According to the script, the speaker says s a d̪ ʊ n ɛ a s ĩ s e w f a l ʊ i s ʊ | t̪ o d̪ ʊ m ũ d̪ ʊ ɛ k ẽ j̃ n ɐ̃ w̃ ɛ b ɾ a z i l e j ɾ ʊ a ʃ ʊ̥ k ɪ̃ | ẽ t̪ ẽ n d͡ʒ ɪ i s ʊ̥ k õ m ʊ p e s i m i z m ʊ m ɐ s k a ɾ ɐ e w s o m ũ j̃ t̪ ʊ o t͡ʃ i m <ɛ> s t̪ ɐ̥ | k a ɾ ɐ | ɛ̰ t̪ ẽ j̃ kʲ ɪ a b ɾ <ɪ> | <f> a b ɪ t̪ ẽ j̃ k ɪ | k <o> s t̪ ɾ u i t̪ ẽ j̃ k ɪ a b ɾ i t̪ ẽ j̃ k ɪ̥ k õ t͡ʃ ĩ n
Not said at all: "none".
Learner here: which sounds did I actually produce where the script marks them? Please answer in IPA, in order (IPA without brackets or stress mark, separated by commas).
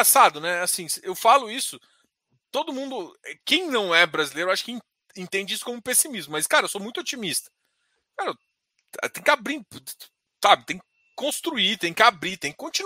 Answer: i, i, s, õ